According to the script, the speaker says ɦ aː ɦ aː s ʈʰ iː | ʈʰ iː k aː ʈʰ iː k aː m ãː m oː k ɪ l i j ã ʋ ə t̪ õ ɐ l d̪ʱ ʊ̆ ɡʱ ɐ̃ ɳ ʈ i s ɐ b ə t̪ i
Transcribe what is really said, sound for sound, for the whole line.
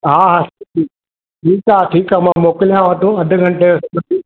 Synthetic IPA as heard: ɦ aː ɦ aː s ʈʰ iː | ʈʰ iː k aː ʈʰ iː k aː m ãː m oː k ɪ l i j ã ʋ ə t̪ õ ɐ d̪ʱ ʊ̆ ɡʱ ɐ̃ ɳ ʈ e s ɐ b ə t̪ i